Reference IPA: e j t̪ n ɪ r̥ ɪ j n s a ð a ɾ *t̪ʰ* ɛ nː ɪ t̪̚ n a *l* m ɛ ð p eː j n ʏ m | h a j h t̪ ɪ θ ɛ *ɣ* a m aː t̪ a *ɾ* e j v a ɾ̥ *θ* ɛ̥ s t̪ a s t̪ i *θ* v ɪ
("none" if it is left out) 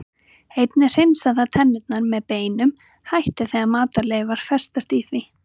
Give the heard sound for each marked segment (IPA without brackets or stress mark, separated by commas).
t̪ʰ, ɾ, ɣ, l, f, θ